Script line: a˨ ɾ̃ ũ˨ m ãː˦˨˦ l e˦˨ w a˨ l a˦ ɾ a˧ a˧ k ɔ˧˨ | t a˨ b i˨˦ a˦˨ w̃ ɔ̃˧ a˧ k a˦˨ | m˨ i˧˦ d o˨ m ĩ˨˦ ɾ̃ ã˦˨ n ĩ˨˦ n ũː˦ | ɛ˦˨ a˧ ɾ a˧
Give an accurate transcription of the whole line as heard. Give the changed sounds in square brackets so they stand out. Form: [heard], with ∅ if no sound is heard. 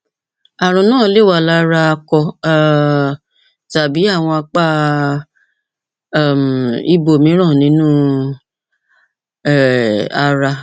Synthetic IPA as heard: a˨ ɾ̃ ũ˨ [n] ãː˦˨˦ l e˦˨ w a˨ l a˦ ɾ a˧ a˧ k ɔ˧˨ | t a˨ b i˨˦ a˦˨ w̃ ɔ̃˧ a˧ [k͡p] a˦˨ | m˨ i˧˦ [b] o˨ m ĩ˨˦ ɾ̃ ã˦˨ n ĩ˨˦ n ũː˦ | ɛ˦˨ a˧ ɾ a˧